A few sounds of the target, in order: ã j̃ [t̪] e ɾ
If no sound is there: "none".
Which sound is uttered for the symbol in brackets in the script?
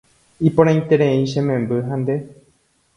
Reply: t̪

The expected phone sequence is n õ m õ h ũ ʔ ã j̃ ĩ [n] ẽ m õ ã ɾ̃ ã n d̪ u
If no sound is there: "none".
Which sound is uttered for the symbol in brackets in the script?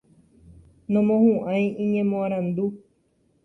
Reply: ɲ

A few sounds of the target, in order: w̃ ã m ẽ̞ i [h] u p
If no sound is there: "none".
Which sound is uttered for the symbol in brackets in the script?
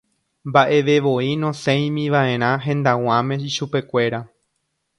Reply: ʃ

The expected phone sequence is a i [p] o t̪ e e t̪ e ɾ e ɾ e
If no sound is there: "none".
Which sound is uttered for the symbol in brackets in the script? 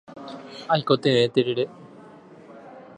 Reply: k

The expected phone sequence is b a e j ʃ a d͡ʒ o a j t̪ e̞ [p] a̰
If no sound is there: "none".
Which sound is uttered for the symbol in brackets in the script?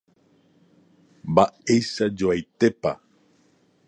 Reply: p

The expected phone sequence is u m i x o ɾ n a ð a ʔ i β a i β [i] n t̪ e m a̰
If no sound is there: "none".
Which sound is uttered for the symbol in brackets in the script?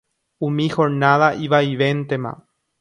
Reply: e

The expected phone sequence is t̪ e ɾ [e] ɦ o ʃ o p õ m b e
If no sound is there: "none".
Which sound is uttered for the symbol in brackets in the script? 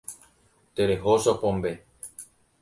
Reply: e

